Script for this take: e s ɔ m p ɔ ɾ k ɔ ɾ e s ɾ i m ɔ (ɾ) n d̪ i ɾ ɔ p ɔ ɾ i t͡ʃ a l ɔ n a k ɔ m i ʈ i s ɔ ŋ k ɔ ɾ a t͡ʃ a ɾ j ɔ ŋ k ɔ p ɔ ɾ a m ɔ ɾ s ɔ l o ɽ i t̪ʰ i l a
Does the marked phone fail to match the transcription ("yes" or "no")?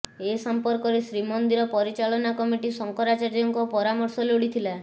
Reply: yes